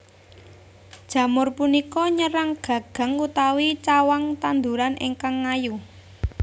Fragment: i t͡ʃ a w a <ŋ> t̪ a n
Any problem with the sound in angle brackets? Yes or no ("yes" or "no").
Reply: no